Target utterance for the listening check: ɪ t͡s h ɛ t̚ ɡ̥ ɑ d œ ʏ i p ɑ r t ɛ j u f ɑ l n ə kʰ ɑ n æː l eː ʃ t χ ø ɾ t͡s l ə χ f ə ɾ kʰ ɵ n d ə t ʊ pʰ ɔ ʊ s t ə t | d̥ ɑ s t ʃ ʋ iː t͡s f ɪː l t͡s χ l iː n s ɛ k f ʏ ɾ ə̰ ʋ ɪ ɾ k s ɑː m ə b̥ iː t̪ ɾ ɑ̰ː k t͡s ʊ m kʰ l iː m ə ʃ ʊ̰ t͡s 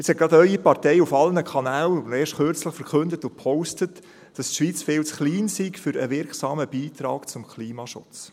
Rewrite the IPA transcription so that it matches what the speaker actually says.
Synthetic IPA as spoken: ɪ t͡s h ɛ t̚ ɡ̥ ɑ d œ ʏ i p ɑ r t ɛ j u f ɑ l n ə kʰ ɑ n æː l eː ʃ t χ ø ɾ t͡s l ə χ f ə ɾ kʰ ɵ n d ə t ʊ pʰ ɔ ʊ s t ə t | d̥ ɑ s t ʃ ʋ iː t͡s f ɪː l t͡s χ l iː n s i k f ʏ ɾ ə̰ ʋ ɪ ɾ k s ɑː m ə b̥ iː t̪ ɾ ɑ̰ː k t͡s ʊ m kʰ l iː m ɑ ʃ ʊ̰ t͡s